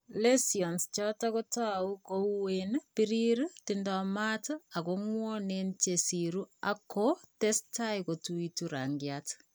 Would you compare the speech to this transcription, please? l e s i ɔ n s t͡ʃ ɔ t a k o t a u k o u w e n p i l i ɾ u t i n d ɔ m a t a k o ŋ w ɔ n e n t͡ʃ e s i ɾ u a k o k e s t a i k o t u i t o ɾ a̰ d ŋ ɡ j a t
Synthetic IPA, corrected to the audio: l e s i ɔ n s t͡ʃ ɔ t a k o t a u k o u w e n p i ɾ i ɾ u t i n d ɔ m a t a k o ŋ w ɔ n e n t͡ʃ e s i ɾ u a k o t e s t a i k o t u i t u ɾ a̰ ŋ ɡ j a t